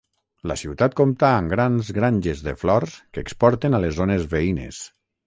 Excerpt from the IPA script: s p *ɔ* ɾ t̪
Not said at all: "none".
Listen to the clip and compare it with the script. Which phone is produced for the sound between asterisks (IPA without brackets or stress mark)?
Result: ɔ